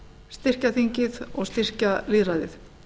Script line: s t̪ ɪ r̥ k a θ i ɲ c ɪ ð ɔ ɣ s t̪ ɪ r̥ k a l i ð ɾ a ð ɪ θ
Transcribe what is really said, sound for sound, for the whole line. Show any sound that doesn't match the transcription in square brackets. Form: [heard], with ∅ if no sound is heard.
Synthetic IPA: s t̪ ɪ r̥ [c] a θ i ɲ c ɪ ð ɔ ɣ s t̪ ɪ r̥ [c] a l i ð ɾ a ð ɪ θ

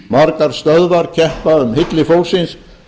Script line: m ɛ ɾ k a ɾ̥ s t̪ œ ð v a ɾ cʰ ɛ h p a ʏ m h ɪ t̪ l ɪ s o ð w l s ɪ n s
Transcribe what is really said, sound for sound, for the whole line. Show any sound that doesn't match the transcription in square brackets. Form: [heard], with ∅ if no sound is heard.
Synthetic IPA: m [a] ɾ k a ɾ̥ s t̪ œ ð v a ɾ cʰ ɛ h p a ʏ m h ɪ t̪ l ɪ [f] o [∅] w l s ɪ n s

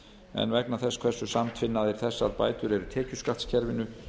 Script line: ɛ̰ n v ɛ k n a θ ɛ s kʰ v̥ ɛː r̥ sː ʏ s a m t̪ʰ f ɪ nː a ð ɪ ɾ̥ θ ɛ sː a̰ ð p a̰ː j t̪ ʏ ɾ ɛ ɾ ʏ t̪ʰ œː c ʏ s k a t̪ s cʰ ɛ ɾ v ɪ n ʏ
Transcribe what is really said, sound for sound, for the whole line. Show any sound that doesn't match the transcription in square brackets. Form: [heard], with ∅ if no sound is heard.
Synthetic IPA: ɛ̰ n v ɛ k n a θ ɛ s kʰ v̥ [ɛ] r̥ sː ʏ s a m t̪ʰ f ɪ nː a ð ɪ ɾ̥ θ ɛ sː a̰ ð p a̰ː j t̪ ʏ ɾ ɛ ɾ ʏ t̪ʰ [ɛː] c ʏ s k a t̪ s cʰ ɛ ɾ v ɪ n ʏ

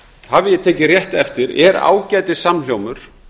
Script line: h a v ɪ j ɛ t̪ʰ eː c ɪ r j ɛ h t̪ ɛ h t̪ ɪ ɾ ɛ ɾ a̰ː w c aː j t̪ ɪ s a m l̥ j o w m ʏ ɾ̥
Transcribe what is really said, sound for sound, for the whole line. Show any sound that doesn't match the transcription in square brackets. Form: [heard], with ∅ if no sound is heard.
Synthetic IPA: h a v ɪ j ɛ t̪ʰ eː c ɪ r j ɛ h t̪ ɛ [f] t̪ ɪ ɾ ɛ ɾ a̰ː w c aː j t̪ ɪ s a m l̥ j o w m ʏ ɾ̥

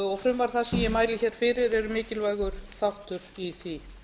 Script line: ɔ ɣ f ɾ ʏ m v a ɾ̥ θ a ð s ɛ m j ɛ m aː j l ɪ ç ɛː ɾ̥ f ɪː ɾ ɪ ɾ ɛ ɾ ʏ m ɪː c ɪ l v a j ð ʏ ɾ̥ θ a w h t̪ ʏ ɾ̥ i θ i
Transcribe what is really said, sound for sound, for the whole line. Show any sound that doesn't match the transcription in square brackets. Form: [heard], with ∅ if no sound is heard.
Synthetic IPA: ɔ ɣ f ɾ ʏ m v a ɾ̥ θ a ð s ɛ m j ɛ m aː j l ɪ ç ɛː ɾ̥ f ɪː ɾ ɪ ɾ ɛ ɾ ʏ m ɪː c ɪ l v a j [ɣ] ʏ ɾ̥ θ a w h t̪ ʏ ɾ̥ i θ i

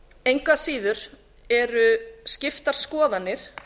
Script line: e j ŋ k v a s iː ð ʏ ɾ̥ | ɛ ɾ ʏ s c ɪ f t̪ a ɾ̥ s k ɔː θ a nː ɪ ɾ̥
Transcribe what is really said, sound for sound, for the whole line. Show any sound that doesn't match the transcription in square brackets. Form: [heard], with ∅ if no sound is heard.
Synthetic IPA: e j ŋ k v a s iː ð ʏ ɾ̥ | ɛ ɾ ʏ s c ɪ f t̪ a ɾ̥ s k ɔː [ð] a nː ɪ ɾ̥

